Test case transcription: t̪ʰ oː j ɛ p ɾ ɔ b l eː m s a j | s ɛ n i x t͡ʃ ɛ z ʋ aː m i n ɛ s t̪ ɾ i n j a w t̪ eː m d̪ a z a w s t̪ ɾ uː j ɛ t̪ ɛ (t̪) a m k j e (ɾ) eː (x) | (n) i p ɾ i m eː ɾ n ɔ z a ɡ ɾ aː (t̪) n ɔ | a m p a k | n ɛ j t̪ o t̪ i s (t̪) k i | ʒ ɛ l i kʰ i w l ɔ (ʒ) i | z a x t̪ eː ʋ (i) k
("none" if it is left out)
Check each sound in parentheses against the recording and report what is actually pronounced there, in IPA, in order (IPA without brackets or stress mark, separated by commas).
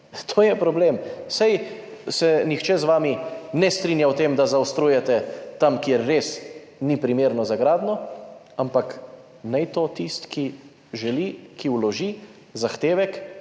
t̪, ɾː, s, n, d̪, t̪, ʒ, ɛ